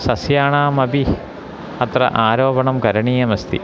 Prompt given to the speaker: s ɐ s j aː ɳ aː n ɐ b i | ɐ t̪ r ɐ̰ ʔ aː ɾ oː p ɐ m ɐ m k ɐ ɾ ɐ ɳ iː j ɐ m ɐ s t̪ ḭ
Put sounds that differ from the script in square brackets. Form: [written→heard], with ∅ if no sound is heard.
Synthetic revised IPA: s ɐ s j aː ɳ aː [n→m] ɐ b i | ɐ t̪ r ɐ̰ ʔ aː ɾ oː [p→b] ɐ [m→ɳ] ɐ m k ɐ ɾ ɐ ɳ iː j ɐ m ɐ s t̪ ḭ